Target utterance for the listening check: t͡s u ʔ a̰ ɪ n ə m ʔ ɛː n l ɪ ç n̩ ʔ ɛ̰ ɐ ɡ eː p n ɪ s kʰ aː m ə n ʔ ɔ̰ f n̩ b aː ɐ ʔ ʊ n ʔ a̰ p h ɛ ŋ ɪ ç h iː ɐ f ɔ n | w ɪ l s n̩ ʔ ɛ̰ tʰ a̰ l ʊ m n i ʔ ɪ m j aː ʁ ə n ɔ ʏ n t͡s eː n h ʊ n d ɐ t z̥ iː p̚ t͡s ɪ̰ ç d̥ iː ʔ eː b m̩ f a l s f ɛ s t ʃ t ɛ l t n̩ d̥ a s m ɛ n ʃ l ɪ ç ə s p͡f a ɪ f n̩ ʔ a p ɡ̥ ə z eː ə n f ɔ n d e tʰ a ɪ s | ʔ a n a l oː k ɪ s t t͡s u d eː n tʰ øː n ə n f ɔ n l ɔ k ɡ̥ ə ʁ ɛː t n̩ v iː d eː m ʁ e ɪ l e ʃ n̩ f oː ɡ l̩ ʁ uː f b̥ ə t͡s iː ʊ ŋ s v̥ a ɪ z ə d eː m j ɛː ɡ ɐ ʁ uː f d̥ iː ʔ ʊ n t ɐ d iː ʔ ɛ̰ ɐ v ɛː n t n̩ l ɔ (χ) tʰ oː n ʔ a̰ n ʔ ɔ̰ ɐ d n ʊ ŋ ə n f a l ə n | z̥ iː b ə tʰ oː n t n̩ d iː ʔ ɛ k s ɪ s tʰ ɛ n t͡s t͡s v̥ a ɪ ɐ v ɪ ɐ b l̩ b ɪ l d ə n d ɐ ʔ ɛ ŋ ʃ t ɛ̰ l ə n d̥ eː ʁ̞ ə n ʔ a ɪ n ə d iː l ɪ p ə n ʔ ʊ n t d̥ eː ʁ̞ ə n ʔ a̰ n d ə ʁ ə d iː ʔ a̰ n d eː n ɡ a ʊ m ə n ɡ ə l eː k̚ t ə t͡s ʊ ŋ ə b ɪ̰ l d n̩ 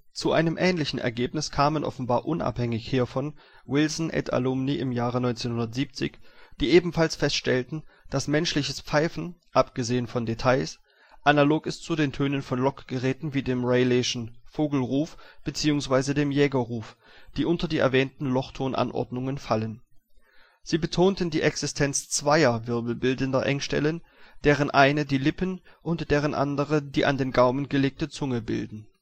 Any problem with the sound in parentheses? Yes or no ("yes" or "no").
no